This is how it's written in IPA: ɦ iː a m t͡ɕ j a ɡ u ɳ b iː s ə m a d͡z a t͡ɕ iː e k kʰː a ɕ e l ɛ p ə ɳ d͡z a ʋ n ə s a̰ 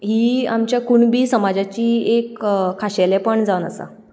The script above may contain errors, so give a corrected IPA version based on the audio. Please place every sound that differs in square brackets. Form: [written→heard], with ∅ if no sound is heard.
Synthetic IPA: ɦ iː a m t͡ɕ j a [ɡ→k] u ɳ b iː s ə m a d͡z a t͡ɕ iː e k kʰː a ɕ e l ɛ p ə ɳ d͡z a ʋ n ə s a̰

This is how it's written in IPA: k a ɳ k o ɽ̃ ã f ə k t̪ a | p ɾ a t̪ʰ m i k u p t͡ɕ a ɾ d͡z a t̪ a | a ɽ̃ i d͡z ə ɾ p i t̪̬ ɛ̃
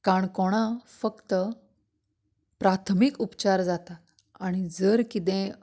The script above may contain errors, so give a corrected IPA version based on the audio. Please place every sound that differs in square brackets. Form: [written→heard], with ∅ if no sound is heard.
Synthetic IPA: k a ɳ k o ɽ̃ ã f ə k t̪ [a→ə] | p ɾ a t̪ʰ m i k u p t͡ɕ a ɾ d͡z a t̪ a | a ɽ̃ i d͡z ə ɾ [p→k] i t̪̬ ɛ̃

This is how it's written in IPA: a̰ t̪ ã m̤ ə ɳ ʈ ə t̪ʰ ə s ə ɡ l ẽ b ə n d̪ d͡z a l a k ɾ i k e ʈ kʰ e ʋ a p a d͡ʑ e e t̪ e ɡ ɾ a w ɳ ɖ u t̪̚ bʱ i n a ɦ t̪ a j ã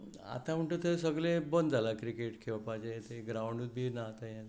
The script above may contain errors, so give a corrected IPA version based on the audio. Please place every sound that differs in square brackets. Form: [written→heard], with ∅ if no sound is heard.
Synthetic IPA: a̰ t̪ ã m̤ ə ɳ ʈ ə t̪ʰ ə s ə ɡ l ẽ b ə n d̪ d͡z a l a k ɾ i k e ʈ kʰ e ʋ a p a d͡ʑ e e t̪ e ɡ ɾ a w ɳ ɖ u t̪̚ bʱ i n a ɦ t̪ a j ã

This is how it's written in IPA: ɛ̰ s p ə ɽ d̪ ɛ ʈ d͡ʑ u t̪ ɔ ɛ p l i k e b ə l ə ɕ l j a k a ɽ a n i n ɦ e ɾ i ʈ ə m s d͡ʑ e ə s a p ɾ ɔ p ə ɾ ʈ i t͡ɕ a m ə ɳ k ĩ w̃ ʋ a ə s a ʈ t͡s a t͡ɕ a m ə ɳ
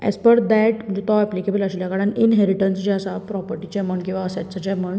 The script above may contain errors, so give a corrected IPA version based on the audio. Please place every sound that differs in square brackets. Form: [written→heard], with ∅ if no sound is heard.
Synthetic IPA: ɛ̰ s p ə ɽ d̪ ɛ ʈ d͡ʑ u t̪ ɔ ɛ p l i k e b ə l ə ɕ l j a k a ɽ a n i n ɦ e ɾ i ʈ ə [m→n] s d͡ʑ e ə s a p ɾ ɔ p ə ɾ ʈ i t͡ɕ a m ə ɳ k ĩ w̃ ʋ a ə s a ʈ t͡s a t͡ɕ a m ə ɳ

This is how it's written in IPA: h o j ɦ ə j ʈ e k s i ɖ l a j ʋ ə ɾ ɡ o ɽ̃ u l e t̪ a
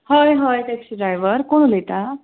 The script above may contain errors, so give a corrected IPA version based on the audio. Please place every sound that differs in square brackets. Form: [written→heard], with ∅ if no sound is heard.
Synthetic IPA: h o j ɦ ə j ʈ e k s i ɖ [l→ɾ] a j ʋ ə ɾ [ɡ→k] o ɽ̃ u l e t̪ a

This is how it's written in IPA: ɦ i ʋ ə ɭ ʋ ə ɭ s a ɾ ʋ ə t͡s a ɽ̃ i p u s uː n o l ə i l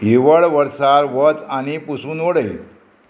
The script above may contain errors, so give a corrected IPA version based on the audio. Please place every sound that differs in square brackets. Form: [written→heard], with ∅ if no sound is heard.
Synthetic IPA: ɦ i ʋ ə ɭ ʋ ə [ɭ→ɾ] s a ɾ ʋ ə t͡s a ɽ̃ i p u s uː n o [l→ɽ] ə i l

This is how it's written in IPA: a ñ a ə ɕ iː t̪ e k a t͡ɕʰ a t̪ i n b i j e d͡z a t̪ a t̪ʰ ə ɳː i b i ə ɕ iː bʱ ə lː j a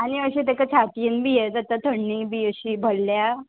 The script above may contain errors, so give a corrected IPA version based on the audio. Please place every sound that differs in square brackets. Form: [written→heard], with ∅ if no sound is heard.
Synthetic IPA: a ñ [a→i] ə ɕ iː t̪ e k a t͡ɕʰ a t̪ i n b i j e d͡z a t̪ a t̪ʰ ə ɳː i b i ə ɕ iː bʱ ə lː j a

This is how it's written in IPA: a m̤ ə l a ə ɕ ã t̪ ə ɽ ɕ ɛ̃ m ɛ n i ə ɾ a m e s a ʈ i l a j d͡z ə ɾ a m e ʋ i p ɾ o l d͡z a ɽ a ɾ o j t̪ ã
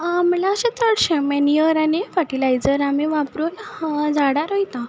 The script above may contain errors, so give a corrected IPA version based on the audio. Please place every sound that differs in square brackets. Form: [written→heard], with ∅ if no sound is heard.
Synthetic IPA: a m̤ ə l a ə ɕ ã t̪ ə ɽ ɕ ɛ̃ m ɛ n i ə ɾ a [m→n] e [s→f] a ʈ i l a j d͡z ə ɾ a m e ʋ [i→a] p ɾ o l d͡z a ɽ a ɾ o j t̪ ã

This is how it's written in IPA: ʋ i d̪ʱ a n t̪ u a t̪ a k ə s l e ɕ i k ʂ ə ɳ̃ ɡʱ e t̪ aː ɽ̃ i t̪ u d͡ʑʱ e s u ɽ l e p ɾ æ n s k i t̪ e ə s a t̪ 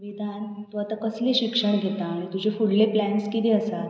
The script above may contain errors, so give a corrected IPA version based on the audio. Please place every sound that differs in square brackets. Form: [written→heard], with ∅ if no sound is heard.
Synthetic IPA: ʋ i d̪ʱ a n t̪ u a t̪ a k ə s l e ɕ i k ʂ ə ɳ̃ ɡʱ e t̪ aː ɽ̃ i t̪ u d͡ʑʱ e [s→f] u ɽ l e p [ɾ→l] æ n s k i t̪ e ə s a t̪

